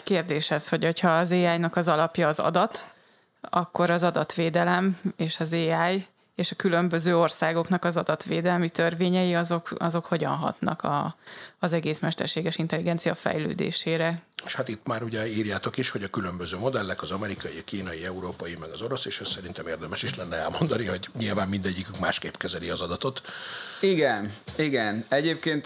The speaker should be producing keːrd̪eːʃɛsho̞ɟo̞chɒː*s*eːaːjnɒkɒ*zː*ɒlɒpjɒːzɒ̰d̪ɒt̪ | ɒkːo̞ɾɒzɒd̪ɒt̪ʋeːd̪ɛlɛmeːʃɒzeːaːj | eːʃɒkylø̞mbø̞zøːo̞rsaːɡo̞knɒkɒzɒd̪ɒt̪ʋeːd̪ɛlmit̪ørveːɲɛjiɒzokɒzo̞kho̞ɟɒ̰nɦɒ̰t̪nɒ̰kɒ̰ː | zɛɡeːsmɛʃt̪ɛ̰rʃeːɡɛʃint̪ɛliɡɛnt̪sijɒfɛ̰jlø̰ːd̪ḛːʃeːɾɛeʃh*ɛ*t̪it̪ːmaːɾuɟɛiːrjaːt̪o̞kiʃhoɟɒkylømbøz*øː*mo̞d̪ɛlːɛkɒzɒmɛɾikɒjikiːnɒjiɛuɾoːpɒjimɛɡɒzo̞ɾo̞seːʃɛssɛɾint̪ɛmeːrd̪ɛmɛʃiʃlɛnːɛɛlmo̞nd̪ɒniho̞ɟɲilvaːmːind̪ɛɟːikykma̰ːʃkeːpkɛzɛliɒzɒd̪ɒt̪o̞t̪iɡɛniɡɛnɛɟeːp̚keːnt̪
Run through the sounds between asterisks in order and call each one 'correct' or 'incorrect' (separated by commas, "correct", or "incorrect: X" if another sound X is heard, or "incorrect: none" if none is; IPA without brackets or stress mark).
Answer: incorrect: z, incorrect: z, incorrect: a, correct